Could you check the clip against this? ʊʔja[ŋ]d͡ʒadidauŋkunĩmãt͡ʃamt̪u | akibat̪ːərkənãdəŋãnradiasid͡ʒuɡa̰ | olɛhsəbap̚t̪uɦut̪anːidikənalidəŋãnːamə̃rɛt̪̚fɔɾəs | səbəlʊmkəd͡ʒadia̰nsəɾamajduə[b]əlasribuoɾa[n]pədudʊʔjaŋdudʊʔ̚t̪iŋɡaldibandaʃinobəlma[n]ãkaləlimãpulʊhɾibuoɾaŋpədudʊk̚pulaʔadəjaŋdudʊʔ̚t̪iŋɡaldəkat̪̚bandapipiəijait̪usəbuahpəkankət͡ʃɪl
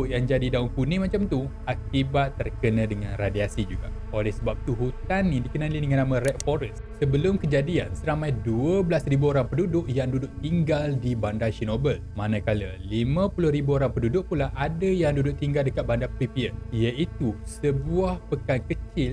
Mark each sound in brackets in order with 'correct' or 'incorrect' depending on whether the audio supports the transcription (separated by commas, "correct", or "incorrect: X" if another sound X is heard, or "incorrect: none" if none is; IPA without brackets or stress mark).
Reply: correct, correct, incorrect: ŋ, correct